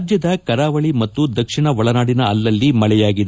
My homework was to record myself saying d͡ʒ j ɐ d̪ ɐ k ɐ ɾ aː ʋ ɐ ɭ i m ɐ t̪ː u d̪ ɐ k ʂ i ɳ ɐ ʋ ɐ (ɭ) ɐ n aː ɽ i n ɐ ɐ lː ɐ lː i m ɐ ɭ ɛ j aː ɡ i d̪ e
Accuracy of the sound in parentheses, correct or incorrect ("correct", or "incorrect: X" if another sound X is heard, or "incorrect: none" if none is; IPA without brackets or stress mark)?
correct